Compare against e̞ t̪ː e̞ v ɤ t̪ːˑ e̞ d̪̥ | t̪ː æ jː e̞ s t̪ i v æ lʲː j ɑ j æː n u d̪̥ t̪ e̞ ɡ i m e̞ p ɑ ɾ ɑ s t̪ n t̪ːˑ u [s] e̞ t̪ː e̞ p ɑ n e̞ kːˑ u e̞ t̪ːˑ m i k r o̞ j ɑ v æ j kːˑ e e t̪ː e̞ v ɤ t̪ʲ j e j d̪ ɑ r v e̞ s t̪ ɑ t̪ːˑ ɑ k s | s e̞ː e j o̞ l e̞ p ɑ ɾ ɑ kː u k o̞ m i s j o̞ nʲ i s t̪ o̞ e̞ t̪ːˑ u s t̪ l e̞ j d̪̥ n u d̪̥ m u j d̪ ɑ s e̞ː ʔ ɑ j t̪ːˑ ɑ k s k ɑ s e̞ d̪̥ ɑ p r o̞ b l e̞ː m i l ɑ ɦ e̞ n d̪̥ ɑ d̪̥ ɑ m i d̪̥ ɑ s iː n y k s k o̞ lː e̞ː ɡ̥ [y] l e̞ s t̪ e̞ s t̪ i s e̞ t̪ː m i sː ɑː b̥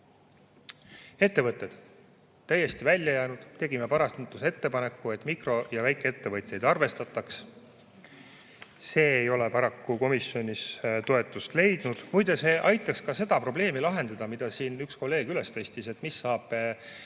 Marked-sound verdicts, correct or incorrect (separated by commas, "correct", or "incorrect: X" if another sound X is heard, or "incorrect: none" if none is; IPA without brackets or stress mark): correct, correct